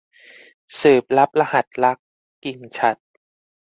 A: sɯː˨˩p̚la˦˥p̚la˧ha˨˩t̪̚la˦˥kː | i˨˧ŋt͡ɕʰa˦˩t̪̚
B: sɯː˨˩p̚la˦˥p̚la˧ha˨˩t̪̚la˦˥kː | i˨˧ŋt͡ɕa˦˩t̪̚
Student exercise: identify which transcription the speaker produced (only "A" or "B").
A